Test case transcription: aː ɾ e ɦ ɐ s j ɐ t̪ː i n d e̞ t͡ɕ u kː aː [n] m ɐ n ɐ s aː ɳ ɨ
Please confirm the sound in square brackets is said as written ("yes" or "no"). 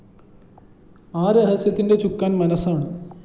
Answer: yes